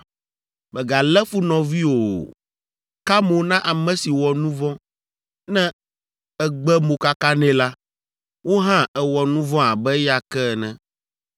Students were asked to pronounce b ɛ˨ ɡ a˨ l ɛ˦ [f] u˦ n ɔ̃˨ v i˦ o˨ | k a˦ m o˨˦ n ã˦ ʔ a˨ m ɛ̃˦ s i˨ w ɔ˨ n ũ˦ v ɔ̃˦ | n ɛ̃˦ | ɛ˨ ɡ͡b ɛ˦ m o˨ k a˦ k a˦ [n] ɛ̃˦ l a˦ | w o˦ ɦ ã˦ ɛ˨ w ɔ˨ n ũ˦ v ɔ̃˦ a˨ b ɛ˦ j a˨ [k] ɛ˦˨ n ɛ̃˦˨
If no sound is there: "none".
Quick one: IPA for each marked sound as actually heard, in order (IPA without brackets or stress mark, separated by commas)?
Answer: f, n, k